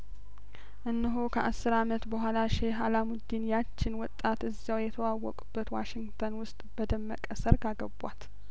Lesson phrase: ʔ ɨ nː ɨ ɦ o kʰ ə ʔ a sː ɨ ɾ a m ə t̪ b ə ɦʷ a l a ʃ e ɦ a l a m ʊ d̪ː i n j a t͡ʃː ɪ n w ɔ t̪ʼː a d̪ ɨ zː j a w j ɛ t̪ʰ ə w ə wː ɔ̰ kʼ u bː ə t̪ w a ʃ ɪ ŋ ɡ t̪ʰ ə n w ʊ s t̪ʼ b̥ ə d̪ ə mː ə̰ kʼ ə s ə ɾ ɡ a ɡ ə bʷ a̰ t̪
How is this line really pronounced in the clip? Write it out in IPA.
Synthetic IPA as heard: ʔ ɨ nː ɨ ɦ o kʰ ə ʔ a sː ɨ ɾ a m ə t̪ b ə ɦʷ a l a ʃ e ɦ a l a m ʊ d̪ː i n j a t͡ʃː ɪ n w ɔ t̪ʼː a t̪ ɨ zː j a w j ɛ t̪ʰ ə w a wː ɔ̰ kʼ u bː ə t̪ w a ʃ ɪ ŋ ɡ t̪ʰ ə n w ʊ s t̪ʼ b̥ ə d̪ ə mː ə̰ kʼ ə s ə ɾ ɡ a ɡ ə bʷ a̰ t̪